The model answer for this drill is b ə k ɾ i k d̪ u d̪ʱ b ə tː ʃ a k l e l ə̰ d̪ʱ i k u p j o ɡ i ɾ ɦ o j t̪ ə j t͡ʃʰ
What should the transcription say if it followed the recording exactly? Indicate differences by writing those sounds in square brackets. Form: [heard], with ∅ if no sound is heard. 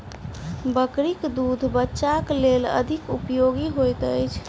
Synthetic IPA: b ə k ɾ i k d̪ u d̪ʱ b ə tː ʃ a k l e l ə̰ d̪ʱ i k u p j o ɡ i [∅] ɦ o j t̪ ə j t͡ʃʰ